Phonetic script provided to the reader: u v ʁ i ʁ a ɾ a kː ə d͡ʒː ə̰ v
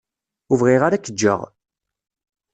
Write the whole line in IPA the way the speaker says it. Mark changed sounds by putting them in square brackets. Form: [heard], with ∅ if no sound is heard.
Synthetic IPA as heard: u v ʁ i ʁ a ɾ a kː ə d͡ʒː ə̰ [ʁ]